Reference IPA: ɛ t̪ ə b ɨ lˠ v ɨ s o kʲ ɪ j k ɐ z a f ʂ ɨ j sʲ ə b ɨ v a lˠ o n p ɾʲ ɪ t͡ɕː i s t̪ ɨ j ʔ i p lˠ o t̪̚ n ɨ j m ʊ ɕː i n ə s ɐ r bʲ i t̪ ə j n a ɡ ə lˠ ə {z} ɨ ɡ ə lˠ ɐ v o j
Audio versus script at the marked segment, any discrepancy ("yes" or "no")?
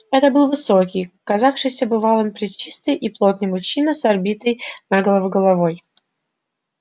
yes